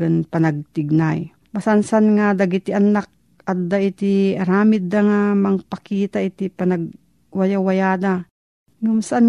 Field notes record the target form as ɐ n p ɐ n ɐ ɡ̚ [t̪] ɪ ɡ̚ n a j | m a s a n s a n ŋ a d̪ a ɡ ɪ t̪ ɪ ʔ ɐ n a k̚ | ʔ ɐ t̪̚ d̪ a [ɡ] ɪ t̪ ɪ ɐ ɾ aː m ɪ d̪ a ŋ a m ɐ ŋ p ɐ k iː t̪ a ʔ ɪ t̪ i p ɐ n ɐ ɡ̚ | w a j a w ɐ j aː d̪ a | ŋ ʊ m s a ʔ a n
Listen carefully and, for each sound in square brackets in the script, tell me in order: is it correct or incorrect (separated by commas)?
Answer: correct, incorrect